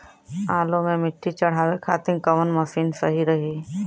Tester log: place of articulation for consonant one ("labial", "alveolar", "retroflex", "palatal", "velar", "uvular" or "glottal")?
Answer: alveolar